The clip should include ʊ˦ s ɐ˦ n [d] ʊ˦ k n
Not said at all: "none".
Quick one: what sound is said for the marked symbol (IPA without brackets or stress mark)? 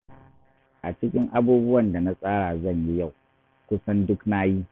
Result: d